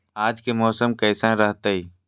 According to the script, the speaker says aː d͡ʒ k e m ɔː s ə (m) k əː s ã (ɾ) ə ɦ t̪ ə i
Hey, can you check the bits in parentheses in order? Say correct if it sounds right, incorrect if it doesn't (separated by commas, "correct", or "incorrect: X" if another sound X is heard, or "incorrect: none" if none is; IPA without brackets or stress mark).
correct, correct